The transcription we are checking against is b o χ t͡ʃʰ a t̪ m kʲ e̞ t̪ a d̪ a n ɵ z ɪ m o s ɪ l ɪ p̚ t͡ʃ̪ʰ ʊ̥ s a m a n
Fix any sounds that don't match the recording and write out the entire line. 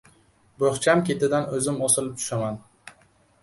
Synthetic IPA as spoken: b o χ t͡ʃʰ a m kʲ e̞ t̪ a d̪ a n ɵ z ɪ m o s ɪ l ɪ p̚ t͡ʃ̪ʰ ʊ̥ ʃ a m a n